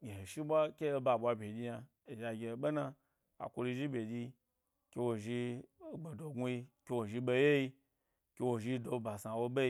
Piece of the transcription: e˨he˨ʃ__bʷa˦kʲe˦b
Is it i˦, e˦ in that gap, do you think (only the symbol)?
i˦